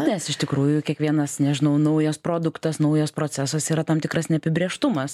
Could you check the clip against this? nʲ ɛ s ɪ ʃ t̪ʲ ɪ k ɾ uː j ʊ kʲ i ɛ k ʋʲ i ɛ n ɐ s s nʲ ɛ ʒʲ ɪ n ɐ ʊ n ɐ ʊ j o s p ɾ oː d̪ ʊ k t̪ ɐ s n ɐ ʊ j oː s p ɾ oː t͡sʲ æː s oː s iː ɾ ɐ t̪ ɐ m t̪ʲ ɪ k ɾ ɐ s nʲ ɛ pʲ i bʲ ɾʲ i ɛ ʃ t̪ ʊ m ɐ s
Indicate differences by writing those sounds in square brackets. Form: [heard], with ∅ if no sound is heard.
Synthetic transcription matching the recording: nʲ ɛ s ɪ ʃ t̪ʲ ɪ k ɾ uː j ʊ kʲ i ɛ k ʋʲ i ɛ n ɐ s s nʲ ɛ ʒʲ ɪ n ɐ ʊ n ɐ ʊ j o s p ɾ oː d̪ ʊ k t̪ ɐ s n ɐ ʊ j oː s p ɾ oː t͡sʲ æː s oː s iː ɾ ɐ t̪ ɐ m t̪ʲ ɪ k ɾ ɐ s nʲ ɛ pʲ [ɪ] bʲ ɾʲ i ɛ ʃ t̪ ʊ m ɐ s